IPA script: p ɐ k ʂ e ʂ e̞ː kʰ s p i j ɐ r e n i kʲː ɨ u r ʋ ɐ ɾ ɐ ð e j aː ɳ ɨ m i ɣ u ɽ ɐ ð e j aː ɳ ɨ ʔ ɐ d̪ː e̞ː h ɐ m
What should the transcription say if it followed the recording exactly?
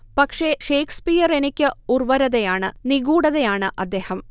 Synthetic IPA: p ɐ k ʂ e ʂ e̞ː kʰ s p i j ɐ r e n i kʲː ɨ u r ʋ ɐ ɾ ɐ ð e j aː ɳ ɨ n i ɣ uː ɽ ɐ ð e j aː ɳ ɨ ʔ ɐ d̪ː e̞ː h ɐ m